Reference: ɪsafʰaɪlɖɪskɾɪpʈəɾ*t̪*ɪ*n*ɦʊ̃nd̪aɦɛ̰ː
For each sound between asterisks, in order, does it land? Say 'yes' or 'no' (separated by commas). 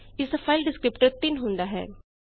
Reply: yes, yes